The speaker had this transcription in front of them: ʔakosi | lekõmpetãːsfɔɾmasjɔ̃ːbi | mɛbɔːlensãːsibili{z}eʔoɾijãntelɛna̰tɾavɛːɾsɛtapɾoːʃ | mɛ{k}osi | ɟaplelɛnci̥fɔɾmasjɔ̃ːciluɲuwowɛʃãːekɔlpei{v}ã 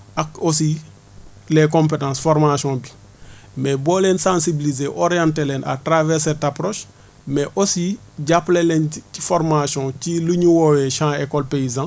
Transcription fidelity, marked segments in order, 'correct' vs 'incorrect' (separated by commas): correct, incorrect, incorrect